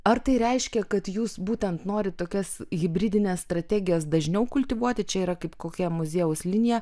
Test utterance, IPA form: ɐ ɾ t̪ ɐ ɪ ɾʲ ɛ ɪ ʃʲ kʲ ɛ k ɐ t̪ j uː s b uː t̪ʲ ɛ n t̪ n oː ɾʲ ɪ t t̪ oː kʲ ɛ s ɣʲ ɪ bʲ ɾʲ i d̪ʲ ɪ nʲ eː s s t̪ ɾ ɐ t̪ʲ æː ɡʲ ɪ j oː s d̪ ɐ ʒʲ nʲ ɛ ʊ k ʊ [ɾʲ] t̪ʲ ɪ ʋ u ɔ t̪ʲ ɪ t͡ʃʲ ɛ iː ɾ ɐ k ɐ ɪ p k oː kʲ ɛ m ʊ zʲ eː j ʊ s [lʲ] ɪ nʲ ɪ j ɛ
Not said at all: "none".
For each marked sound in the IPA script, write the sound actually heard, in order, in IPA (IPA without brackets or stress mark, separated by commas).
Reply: lʲ, lʲ